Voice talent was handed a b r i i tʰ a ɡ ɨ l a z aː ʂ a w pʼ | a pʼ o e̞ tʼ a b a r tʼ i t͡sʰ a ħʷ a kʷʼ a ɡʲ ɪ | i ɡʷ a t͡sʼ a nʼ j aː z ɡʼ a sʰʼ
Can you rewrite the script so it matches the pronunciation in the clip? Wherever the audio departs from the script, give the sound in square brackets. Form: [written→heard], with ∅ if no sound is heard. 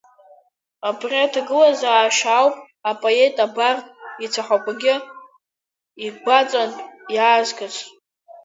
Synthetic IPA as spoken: a b r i [i→a] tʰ a ɡ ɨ l a z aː [ʂ→ʃ] a w pʼ | a pʼ o e̞ tʼ a b a r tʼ i t͡sʰ a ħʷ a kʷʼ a ɡʲ ɪ | i ɡʷ a t͡sʼ a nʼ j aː z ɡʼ a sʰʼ

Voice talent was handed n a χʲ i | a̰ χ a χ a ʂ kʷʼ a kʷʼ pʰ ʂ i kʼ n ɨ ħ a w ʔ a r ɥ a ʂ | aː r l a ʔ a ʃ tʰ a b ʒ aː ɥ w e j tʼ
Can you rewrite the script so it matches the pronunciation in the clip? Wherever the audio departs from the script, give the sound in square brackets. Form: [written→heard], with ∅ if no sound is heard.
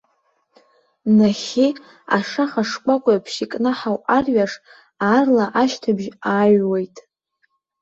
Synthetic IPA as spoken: n a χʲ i | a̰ [χ→ʂ] a χ a ʂ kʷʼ a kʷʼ pʰ [ʂ→ʃ] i kʼ n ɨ ħ a w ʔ a r ɥ a ʂ | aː r l a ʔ a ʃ tʰ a b ʒ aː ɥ w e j tʼ

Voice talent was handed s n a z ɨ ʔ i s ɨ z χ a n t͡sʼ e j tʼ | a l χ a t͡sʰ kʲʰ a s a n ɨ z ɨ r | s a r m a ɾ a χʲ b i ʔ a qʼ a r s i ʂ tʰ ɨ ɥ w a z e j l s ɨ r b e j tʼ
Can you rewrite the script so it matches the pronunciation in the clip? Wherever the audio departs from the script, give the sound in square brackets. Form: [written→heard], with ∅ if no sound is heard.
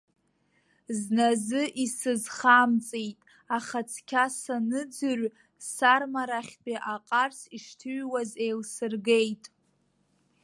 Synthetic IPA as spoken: [s→z] n a z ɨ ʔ i s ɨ z χ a [n→m] t͡sʼ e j tʼ | a [l→∅] χ a t͡sʰ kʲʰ a s a n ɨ [z→d͡z] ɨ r | s a r m a ɾ a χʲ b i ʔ a qʼ a r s i ʂ tʰ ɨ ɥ w a z e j l s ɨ r [b→ɡ] e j tʼ

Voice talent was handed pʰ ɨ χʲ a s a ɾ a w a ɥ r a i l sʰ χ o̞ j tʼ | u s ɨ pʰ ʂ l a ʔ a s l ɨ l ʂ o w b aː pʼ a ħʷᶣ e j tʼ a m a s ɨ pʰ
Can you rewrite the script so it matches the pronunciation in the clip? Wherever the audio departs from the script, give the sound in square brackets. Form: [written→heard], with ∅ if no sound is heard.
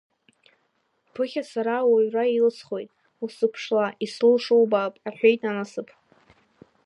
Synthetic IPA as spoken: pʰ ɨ χʲ a s a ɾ a w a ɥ r a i l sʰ χ o̞ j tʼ | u s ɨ pʰ ʂ l a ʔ [a→i] s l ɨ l ʂ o w b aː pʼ a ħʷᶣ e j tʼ a [m→n] a s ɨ pʰ

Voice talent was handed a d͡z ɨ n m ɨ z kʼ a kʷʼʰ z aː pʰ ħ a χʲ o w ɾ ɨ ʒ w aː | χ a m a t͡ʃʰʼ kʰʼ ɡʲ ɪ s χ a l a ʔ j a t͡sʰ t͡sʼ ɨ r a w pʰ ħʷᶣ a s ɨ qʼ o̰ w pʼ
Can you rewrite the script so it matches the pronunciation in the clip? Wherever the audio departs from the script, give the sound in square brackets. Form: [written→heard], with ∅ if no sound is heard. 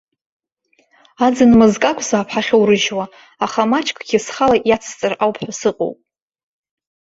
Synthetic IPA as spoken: a d͡z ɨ n m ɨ z kʼ a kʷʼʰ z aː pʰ ħ a χʲ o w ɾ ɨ ʒ w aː | χ a m a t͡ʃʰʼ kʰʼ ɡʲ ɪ s χ a l a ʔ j a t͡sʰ t͡sʼ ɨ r a w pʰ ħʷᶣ a s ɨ qʼ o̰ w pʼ

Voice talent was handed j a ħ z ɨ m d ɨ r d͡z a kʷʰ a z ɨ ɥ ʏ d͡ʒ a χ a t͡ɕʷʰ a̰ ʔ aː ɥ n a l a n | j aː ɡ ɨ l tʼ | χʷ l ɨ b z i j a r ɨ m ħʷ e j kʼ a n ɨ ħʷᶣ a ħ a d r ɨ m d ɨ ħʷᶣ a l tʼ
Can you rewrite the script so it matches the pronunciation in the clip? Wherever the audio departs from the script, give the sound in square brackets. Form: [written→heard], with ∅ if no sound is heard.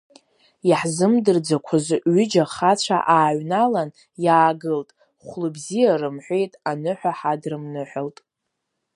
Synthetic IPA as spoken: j a ħ z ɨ m d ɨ r d͡z a kʷʰ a z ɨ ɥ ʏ d͡ʒ a χ a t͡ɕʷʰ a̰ ʔ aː ɥ n a l a n | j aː ɡ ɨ l tʼ | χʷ l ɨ b z i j a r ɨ m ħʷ e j [kʼ→tʼ] a n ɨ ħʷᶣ a ħ a d r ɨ m [d→n] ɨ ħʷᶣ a l tʼ

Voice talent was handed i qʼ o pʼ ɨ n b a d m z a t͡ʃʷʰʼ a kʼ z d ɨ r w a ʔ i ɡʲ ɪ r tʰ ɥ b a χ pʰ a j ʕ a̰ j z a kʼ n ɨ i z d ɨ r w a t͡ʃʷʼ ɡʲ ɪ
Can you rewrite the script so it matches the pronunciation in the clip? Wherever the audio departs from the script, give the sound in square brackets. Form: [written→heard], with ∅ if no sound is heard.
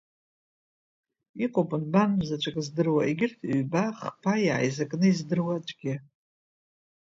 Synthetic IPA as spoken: i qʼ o pʼ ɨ n b a [d→n] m z a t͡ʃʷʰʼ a kʼ z d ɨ r w a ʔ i ɡʲ ɪ r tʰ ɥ b a χ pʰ a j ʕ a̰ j z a kʼ n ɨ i z d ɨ r w a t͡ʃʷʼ ɡʲ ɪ

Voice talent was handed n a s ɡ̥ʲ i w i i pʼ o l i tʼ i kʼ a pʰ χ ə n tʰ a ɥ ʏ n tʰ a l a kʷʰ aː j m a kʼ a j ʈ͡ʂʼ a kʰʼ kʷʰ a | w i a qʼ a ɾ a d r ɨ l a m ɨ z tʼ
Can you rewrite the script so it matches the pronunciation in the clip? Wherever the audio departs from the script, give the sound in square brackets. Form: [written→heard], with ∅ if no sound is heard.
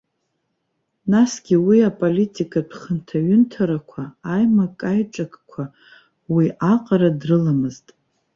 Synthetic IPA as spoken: n a s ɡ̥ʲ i w i [i→a] pʼ o l i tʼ i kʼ a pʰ χ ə n tʰ a ɥ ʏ n tʰ a [l→ɾ] a kʷʰ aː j m a kʼ a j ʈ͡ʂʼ a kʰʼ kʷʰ a | w i a qʼ a ɾ a d r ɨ l a m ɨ z tʼ

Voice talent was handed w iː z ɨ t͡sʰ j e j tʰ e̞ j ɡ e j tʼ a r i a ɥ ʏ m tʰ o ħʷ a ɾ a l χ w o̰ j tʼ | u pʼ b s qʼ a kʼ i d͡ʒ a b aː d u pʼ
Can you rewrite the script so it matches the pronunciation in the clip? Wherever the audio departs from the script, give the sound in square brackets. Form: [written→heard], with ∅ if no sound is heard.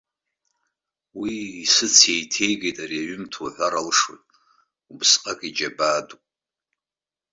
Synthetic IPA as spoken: w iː [z→s] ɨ t͡sʰ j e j tʰ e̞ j ɡ e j tʼ a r i a ɥ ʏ m tʰ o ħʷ a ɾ a l [χ→ʂ] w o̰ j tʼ | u [pʼ→∅] b s qʼ a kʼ i d͡ʒ a b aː d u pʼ

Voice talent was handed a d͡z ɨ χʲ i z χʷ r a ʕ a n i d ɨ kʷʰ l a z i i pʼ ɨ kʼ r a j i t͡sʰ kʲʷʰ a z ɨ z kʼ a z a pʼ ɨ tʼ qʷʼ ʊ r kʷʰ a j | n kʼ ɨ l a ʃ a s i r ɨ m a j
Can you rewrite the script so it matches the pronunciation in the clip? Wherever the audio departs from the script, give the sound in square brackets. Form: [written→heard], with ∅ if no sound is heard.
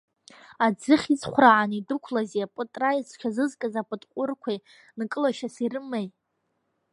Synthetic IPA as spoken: a d͡z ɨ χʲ i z χʷ r a ʕ a n i d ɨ kʷʰ l a z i [i→a] pʼ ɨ [kʼ→tʼ] r a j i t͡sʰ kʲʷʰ a z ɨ z kʼ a z a pʼ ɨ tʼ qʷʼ ʊ r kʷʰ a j | n kʼ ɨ l a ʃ a s i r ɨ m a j

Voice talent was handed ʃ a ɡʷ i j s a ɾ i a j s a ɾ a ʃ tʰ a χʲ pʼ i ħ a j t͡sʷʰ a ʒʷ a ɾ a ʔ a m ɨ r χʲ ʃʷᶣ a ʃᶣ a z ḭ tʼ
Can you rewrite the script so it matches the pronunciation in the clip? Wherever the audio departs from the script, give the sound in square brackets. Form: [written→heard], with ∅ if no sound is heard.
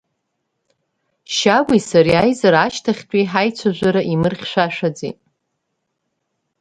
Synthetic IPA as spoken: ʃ a ɡʷ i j s a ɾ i a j [s→z] a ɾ a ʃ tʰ a χʲ [pʼ→tʼ] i ħ a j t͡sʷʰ a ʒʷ a ɾ a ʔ [a→i] m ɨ r χʲ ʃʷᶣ a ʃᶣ a [z→d͡z] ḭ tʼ

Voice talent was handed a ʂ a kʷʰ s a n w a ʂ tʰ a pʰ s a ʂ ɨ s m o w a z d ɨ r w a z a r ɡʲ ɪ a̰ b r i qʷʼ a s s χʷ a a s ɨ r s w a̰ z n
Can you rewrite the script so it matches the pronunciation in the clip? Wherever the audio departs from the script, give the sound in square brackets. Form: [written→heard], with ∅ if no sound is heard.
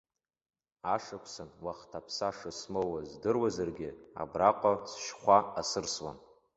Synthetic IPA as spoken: a ʂ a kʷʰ s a n w a [ʂ→χ] tʰ a pʰ s a ʂ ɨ s m o w a z d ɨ r w a z a r ɡʲ ɪ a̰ b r [i→a] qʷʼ a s [s→ʃ] χʷ a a s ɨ r s w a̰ [z→∅] n

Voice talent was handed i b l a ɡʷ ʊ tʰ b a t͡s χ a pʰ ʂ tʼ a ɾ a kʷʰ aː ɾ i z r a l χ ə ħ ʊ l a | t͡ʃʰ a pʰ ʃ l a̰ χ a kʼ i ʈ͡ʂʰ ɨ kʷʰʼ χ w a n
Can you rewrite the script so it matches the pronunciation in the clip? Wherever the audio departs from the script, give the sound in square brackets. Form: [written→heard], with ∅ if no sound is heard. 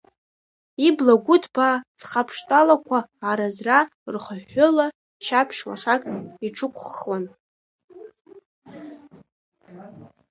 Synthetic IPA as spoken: i b l a ɡʷ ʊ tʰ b a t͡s χ a pʰ ʂ tʼ a [ɾ→l] a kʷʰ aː ɾ [i→a] z r a [l→r] χ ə ħ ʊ l a | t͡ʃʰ a pʰ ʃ l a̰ [χ→ʂ] a kʼ i ʈ͡ʂʰ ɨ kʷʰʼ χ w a n

